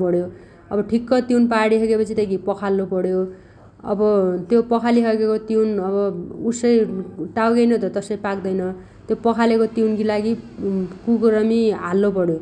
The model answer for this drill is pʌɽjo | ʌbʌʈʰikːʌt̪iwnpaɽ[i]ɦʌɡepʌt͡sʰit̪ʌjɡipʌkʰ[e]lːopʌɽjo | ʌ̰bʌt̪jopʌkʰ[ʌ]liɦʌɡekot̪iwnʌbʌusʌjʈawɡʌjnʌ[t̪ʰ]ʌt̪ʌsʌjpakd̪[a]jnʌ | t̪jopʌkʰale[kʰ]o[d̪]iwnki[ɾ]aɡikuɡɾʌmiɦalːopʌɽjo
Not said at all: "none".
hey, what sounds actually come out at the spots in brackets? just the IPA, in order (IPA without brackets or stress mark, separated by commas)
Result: i, a, a, t̪, ʌ, k, t̪, l